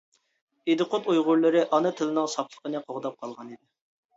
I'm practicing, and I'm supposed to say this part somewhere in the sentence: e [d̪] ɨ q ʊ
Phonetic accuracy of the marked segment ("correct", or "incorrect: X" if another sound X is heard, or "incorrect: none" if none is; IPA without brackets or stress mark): correct